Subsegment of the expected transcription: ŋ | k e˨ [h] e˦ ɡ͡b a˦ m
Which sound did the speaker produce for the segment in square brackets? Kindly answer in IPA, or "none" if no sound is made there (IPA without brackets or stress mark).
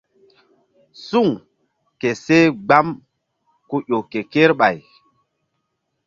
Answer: s